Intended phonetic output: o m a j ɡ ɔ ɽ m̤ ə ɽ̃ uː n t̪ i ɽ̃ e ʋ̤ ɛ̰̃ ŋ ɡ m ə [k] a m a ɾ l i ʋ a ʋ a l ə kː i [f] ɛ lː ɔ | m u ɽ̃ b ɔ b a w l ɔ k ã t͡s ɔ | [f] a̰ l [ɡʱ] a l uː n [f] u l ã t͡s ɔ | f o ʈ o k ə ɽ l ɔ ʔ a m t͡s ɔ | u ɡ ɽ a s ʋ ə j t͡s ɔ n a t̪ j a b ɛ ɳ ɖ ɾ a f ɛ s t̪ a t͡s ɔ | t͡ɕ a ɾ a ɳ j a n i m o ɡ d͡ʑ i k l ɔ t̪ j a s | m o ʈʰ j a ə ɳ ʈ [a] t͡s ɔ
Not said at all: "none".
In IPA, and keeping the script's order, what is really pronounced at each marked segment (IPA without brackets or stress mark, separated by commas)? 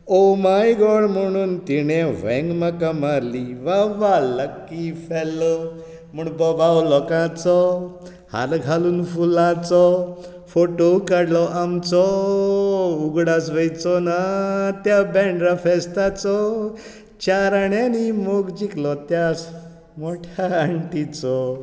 k, f, h, ɡʱ, f, i